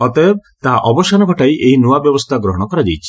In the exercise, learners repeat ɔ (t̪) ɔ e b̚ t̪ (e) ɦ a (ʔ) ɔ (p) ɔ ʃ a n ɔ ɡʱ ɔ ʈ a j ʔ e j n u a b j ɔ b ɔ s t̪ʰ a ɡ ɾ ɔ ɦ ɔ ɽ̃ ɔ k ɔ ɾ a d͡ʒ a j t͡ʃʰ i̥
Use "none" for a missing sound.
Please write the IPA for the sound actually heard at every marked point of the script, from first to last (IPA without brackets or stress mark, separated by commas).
t̪, a, ʔ, b